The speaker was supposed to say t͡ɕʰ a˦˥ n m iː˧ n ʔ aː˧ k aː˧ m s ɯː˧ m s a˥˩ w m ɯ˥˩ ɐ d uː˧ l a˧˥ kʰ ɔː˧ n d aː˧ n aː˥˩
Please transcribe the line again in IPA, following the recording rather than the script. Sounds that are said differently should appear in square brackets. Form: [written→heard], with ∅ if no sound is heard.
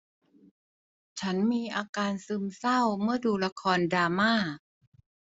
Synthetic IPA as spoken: t͡ɕʰ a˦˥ n m iː˧ [n→∅] ʔ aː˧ k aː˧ [m→n] s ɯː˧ m s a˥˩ w m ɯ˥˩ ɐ d uː˧ l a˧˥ kʰ ɔː˧ n d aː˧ [n→m] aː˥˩

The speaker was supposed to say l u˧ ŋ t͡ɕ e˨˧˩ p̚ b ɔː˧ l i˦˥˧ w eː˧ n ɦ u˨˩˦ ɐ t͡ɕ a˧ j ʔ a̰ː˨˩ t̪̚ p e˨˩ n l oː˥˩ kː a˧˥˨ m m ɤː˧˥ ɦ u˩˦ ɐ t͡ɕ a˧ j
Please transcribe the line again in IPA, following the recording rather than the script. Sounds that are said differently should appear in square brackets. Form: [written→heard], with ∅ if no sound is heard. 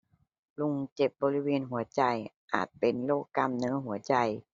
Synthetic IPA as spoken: l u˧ ŋ t͡ɕ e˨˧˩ p̚ b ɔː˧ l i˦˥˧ w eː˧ n ɦ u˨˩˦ ɐ t͡ɕ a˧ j ʔ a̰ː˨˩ t̪̚ p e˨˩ n l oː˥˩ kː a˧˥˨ m [m→n] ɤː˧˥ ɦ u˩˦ ɐ t͡ɕ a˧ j

